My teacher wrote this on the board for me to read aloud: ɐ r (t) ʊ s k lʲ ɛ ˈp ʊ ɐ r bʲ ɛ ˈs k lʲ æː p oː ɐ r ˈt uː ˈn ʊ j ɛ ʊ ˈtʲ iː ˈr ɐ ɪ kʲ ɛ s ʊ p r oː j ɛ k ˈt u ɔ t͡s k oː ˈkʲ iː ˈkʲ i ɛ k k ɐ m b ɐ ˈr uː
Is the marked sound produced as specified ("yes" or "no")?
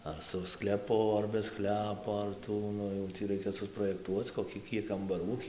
no